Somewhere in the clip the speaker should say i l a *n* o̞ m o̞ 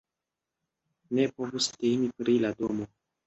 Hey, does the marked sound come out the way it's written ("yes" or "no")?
no